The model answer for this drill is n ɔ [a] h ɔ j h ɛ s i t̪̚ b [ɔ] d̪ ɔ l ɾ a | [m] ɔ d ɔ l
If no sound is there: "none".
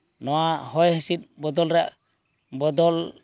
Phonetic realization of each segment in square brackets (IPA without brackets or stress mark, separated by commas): a, ɔ, b